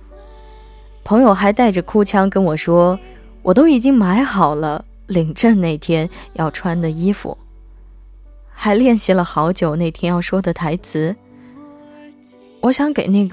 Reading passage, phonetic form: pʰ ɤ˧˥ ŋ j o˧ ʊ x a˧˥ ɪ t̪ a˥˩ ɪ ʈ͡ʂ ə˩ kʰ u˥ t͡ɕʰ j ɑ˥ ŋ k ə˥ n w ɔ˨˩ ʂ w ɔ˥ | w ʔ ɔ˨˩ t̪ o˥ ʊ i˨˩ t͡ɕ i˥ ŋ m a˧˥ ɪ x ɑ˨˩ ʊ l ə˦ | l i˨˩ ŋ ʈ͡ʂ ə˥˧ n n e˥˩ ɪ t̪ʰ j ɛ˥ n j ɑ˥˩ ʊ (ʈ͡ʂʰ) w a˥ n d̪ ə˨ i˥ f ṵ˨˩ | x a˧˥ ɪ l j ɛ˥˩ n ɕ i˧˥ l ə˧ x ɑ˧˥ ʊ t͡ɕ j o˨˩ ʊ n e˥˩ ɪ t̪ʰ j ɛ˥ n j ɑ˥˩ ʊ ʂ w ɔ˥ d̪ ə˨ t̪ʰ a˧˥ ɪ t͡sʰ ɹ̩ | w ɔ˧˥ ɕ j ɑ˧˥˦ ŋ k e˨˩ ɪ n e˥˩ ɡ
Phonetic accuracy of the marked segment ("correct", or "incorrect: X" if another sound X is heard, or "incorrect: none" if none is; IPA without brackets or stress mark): correct